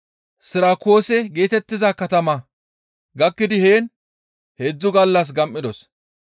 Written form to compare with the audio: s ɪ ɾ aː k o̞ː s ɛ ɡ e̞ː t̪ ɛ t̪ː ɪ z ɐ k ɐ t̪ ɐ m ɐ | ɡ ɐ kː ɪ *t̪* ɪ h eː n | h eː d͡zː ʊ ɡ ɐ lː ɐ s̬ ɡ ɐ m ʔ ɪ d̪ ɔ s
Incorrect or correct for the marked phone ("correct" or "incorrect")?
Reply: incorrect